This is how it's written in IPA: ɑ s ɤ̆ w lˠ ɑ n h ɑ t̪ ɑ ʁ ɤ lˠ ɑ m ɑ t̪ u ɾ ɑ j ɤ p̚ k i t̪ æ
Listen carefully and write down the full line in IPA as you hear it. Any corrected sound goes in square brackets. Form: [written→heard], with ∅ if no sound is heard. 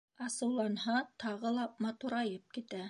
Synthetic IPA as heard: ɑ s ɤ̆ w lˠ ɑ n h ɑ t̪ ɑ ʁ ɤ lˠ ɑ m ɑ t̪ u ɾ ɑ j ɤ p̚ k i t̪ æ